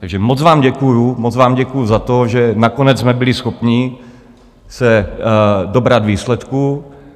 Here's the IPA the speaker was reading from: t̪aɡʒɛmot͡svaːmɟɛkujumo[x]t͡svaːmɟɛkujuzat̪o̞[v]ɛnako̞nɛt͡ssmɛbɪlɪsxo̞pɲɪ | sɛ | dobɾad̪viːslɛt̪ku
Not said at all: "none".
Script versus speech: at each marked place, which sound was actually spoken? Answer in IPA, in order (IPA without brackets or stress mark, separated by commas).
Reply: none, ʒ